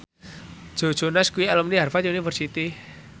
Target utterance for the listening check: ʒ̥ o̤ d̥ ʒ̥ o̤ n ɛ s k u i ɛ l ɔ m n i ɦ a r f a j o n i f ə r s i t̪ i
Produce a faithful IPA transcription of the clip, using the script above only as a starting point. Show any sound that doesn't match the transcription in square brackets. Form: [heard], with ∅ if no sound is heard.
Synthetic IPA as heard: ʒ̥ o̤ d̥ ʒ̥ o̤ n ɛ s k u i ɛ l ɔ m n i ɦ a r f a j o n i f ə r s i t̪ i